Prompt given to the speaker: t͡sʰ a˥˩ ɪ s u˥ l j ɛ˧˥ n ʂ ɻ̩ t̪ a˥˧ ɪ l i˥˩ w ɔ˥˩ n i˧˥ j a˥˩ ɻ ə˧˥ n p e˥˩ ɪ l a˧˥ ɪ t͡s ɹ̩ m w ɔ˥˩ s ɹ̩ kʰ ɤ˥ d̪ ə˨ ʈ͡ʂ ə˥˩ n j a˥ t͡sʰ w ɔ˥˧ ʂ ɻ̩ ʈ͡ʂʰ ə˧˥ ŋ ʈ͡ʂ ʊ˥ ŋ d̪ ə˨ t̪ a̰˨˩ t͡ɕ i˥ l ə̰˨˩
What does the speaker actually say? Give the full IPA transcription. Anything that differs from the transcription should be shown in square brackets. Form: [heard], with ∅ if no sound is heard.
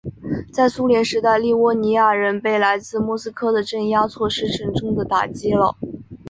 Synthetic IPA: [t͡s] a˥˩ ɪ s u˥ l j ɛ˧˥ n ʂ ɻ̩ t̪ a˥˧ ɪ l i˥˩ w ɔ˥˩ n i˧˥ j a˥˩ ɻ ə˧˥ n p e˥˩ ɪ l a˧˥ ɪ t͡s ɹ̩ m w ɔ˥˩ s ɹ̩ kʰ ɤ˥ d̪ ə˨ ʈ͡ʂ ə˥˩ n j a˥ t͡sʰ w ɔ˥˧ ʂ ɻ̩ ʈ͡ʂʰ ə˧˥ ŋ ʈ͡ʂ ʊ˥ ŋ d̪ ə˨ t̪ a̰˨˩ t͡ɕ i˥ l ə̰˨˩